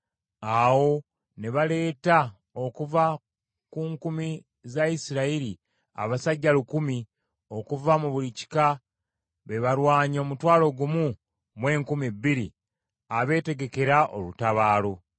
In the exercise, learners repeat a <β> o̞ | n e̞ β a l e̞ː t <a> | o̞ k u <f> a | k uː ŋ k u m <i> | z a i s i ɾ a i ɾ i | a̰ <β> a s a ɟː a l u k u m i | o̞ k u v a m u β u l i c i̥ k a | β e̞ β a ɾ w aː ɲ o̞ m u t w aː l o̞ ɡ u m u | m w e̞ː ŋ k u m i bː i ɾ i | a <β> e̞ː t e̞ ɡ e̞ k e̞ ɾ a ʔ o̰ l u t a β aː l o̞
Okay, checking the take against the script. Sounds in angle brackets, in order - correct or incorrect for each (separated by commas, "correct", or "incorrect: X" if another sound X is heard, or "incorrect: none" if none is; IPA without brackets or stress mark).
incorrect: w, correct, incorrect: v, correct, correct, correct